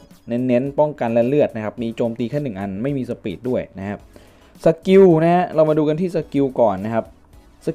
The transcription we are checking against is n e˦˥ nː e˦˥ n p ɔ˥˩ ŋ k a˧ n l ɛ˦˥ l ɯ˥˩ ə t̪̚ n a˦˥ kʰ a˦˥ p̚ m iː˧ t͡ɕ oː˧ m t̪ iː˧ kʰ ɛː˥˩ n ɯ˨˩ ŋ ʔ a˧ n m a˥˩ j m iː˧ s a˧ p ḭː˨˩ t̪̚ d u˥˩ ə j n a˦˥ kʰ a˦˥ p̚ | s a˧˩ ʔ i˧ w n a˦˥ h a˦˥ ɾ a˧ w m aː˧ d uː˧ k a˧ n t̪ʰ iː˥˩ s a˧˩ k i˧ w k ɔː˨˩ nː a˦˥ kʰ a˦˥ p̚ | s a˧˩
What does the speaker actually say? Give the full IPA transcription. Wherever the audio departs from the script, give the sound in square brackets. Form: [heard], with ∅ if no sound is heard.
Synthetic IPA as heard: n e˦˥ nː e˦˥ n p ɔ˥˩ ŋ k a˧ n l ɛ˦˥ l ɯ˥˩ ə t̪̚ n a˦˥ kʰ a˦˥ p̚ m iː˧ t͡ɕ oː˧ m t̪ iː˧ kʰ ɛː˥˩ n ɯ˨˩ ŋ ʔ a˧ n m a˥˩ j m iː˧ s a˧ p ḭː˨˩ t̪̚ d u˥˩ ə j n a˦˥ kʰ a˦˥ p̚ | s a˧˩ [k] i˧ w n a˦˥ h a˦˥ ɾ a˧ w m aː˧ d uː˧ k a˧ n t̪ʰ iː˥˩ s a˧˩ k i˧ w k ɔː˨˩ nː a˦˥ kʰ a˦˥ p̚ | s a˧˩